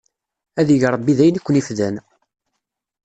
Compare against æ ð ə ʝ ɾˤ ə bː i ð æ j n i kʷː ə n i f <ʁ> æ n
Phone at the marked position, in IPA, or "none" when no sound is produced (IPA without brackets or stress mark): ð